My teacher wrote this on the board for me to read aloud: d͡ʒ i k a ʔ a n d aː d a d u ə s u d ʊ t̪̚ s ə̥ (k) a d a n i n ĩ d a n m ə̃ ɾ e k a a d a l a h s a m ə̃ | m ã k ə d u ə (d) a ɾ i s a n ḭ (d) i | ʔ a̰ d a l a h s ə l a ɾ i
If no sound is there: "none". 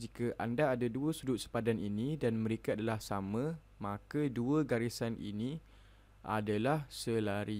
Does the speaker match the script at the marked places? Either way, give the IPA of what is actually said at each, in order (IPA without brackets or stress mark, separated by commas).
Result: p, ɡ, n